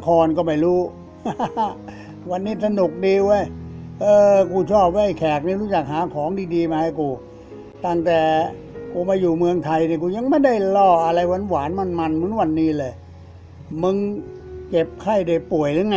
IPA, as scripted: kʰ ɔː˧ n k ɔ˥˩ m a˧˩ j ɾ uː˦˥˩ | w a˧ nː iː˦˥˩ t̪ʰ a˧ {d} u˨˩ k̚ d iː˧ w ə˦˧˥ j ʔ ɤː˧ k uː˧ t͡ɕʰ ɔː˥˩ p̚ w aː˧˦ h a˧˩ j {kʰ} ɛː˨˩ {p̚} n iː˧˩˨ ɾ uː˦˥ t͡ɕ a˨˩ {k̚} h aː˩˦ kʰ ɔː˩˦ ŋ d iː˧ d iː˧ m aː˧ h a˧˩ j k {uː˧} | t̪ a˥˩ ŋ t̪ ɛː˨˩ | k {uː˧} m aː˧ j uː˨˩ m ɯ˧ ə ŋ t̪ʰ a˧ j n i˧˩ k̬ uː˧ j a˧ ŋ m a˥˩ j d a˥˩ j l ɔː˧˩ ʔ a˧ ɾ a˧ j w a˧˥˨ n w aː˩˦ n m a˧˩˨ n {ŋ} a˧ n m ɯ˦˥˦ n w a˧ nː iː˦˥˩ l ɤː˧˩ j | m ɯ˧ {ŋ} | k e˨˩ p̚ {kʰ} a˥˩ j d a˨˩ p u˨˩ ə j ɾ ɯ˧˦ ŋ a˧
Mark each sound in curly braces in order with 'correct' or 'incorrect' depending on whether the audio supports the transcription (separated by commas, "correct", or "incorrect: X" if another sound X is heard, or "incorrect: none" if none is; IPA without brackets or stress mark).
incorrect: n, correct, incorrect: k̚, correct, correct, correct, incorrect: m, correct, correct